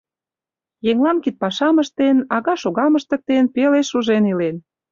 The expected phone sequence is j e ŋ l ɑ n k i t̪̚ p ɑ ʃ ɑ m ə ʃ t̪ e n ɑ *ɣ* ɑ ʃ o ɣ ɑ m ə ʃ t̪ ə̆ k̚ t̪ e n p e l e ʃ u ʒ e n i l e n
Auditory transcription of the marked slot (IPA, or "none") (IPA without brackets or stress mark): ɣ